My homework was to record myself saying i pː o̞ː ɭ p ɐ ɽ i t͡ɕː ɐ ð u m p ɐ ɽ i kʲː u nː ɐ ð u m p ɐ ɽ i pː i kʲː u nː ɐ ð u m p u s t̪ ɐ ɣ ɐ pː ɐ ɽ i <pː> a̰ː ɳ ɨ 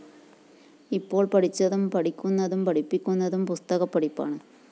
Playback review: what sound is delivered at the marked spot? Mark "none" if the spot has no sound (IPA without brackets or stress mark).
pː